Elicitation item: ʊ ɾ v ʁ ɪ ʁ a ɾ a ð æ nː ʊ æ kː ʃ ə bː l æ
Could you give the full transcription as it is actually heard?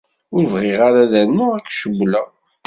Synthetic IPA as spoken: ʊ ɾ v ʁ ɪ ʁ a ɾ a ð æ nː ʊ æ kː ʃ ə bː l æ